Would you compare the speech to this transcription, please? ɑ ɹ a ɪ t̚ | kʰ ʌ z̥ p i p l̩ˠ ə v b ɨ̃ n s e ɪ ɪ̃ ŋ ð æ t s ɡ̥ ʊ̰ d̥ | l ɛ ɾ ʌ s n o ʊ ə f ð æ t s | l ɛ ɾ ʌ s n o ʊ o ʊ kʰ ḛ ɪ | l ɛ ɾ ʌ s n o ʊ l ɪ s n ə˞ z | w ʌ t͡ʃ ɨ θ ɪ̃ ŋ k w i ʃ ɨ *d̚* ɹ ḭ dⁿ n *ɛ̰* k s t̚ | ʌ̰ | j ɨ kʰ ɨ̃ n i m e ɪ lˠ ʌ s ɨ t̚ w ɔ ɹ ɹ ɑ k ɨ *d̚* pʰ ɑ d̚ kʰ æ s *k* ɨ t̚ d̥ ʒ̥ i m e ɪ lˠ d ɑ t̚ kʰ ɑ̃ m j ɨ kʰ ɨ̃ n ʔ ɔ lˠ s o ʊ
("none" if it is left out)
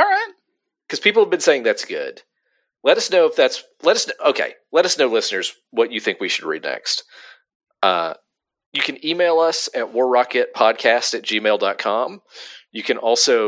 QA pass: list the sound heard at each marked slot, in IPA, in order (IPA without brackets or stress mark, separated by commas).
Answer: d̚, ɛ̰, t̚, t